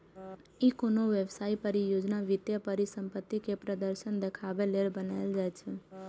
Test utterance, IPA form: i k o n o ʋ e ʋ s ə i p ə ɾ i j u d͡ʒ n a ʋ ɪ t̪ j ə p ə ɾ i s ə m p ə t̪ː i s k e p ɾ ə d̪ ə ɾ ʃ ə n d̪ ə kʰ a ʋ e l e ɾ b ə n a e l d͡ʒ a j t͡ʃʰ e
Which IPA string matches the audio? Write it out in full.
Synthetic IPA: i k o n o ʋ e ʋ s a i p ə ɾ i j o d͡ʒ n a ʋ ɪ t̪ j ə p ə ɾ i s ə m p ə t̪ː i k e p ɾ ə d̪ ə ɾ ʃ ə n d̪ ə kʰ a ʋ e l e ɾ b ə n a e l d͡ʒ a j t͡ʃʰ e